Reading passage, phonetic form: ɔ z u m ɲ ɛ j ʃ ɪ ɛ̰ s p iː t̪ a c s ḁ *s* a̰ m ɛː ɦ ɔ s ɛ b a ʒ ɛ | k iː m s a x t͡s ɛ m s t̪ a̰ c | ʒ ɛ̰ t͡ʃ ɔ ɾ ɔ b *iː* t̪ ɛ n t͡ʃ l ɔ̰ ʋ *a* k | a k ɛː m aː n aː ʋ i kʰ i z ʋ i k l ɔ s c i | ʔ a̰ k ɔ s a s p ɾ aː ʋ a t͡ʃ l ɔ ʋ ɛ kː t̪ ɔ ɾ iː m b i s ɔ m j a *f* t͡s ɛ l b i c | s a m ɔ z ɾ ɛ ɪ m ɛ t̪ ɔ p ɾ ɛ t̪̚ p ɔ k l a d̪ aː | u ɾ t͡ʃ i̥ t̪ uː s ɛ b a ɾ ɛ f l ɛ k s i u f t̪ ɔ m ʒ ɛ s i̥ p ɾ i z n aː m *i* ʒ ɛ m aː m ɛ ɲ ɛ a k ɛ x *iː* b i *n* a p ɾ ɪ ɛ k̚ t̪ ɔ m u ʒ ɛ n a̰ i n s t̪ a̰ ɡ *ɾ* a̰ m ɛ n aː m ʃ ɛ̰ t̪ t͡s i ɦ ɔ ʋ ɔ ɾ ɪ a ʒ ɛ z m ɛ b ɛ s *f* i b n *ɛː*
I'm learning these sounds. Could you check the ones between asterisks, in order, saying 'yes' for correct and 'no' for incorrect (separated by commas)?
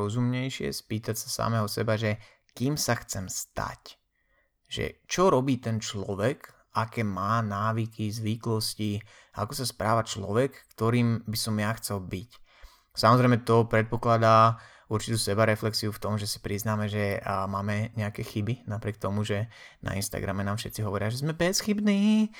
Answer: yes, yes, no, no, no, no, yes, yes, no, no